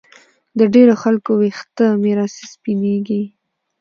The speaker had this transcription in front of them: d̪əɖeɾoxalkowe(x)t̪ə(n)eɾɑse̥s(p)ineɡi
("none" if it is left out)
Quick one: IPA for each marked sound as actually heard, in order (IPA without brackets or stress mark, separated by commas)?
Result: x, m, p